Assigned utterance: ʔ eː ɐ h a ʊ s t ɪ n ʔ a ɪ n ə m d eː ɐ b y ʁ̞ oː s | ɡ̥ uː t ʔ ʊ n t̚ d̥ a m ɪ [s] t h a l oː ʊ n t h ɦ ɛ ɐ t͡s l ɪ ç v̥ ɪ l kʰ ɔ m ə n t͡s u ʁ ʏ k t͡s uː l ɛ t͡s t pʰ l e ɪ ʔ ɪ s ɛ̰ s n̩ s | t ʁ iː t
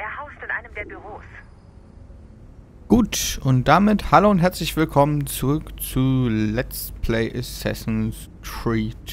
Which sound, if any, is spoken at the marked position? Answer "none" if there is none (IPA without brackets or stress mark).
none